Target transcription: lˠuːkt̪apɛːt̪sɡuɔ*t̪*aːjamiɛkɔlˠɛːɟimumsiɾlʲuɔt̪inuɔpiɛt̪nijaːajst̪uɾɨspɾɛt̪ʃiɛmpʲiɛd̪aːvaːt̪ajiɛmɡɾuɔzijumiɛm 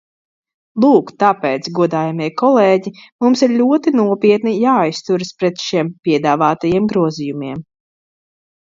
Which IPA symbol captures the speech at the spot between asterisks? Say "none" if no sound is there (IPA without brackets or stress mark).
d̪